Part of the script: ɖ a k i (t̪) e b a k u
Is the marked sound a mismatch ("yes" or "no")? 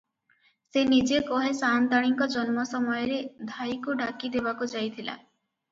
yes